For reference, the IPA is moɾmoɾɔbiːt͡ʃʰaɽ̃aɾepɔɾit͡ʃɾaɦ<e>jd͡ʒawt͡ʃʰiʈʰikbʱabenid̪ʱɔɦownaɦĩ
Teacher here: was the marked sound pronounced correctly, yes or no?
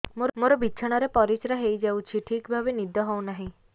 yes